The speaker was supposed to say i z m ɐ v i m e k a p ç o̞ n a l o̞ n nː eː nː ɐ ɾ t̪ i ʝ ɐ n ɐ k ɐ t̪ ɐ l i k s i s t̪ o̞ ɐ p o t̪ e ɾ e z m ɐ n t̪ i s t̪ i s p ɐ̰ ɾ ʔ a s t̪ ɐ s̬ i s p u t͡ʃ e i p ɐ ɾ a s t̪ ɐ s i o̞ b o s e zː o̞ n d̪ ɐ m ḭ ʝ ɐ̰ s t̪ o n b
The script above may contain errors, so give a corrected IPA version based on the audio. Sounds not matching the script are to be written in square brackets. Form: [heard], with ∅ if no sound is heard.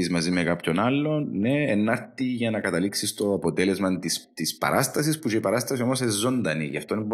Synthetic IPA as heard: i z m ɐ [z] i m e k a p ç o̞ n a [lː] o̞ n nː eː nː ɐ ɾ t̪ i ʝ ɐ n ɐ k ɐ t̪ ɐ l i k s i s t̪ o̞ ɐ p o t̪ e [l] e z m ɐ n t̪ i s t̪ i s p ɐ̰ ɾ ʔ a s t̪ ɐ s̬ i s p u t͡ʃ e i p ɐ ɾ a s t̪ ɐ s i o̞ [m] o s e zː o̞ n d̪ ɐ [n] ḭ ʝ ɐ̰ [f] t̪ o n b